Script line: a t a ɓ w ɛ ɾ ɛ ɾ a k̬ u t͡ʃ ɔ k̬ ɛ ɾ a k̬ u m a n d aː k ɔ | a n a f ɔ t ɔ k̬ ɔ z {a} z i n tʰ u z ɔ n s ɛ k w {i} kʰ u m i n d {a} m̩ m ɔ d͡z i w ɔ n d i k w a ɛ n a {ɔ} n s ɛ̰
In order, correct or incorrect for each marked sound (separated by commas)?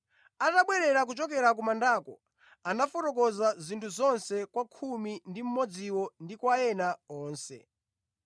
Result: correct, incorrect, incorrect, incorrect